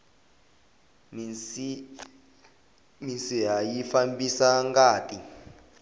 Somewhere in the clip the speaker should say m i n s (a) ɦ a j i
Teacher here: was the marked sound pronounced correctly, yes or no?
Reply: no